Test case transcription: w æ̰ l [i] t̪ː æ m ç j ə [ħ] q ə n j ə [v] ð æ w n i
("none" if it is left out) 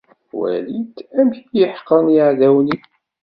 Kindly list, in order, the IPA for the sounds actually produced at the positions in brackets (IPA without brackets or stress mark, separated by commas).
i, ħ, ʕ